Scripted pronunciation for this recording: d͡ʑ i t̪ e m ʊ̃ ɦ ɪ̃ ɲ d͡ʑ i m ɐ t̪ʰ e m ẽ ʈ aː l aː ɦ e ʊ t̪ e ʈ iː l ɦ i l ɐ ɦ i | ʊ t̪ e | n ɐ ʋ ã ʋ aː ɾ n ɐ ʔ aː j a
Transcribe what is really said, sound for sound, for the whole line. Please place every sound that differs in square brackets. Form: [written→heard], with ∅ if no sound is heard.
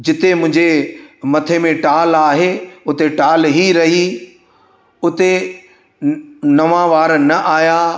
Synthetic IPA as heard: d͡ʑ [i→ɪ] t̪ e m ʊ̃ ɦ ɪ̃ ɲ d͡ʑ [i→e] m ɐ t̪ʰ e m ẽ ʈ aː l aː ɦ e ʊ t̪ e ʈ [iː→aː] l ɦ i [l→ɾ] ɐ ɦ i | ʊ t̪ e | n ɐ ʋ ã ʋ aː ɾ n ɐ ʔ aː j a